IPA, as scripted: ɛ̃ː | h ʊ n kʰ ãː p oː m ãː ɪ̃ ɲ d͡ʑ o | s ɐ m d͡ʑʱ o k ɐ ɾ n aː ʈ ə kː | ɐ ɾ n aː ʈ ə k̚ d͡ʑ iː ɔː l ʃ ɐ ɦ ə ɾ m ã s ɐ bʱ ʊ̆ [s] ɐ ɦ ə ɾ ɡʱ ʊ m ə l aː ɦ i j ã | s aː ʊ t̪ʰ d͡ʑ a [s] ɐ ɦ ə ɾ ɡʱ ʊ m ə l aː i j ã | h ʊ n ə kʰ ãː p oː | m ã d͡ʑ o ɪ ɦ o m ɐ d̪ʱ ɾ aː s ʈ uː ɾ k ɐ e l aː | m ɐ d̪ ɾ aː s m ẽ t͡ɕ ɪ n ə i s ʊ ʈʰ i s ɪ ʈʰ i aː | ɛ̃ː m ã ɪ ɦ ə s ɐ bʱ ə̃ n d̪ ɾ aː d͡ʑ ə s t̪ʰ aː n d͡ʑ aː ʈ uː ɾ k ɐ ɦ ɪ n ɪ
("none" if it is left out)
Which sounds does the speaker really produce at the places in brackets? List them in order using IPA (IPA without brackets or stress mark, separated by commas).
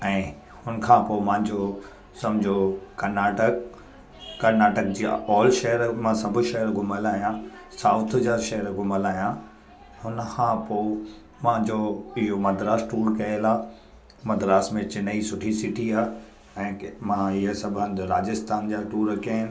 ʃ, ʃ